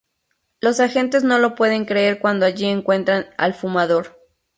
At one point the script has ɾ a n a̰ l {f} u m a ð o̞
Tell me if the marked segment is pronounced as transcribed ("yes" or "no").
yes